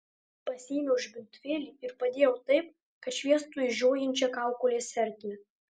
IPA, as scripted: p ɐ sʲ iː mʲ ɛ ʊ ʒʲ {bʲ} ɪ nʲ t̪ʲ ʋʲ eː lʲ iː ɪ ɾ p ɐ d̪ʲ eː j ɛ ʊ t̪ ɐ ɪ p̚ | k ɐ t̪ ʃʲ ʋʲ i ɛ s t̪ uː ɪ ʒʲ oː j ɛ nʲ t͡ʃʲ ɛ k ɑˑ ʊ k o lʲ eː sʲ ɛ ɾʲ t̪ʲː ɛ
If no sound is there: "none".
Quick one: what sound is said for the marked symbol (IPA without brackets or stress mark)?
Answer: bʲ